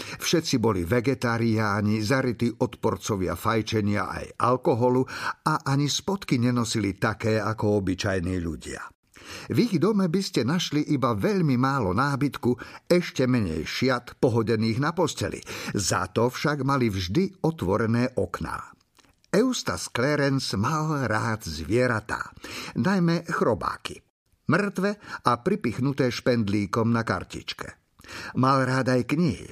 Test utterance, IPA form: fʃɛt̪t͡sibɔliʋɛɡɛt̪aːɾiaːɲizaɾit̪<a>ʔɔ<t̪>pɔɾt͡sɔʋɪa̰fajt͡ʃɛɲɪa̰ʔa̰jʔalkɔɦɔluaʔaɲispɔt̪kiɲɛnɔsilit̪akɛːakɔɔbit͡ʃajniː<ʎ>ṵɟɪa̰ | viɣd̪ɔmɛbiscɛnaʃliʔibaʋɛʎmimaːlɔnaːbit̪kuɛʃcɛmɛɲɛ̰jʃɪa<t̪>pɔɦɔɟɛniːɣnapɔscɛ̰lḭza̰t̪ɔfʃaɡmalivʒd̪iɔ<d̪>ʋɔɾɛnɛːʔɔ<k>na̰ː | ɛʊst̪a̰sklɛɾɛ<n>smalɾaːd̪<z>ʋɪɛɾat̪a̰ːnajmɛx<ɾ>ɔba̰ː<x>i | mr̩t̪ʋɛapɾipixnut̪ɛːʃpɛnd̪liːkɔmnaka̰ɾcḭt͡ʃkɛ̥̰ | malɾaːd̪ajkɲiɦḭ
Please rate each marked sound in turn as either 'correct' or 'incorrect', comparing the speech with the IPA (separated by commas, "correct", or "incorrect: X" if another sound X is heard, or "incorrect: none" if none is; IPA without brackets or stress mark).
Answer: incorrect: i, correct, correct, correct, incorrect: t̪, correct, correct, correct, correct, incorrect: k